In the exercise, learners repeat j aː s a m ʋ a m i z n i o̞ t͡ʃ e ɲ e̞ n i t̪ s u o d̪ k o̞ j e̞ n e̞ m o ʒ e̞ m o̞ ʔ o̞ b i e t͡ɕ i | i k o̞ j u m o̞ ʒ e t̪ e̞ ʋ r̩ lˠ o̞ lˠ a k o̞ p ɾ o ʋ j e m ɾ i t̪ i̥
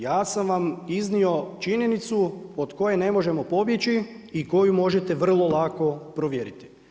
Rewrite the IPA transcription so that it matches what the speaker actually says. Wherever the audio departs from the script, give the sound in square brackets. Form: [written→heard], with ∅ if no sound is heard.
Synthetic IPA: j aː s a m ʋ a m i z n i o̞ t͡ʃ [e→i] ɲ e̞ n i t̪ s u o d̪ k o̞ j e̞ n e̞ m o ʒ e̞ m o̞ [ʔ→p] o̞ b [i→j] e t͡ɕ i | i k o̞ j u m o̞ ʒ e t̪ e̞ ʋ r̩ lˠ o̞ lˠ a k o̞ p ɾ o ʋ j e [m→∅] ɾ i t̪ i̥